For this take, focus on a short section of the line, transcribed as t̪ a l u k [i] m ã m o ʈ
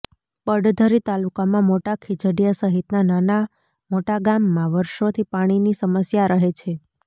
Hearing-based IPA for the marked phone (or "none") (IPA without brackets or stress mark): a